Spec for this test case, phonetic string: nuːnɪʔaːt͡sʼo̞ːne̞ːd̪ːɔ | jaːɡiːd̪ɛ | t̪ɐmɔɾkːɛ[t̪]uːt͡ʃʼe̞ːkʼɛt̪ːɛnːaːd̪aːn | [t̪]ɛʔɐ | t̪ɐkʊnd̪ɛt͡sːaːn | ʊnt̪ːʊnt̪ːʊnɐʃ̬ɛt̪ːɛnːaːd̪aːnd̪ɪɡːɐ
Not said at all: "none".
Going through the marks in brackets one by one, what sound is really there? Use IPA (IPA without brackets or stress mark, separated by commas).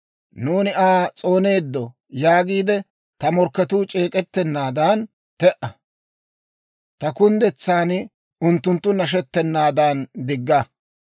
t̪, t̪